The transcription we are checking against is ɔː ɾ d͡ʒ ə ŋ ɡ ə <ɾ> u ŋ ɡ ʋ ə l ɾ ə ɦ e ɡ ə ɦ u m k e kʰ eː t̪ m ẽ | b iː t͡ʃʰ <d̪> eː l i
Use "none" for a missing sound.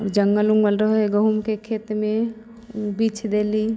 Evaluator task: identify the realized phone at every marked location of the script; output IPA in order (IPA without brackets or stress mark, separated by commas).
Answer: l, d̪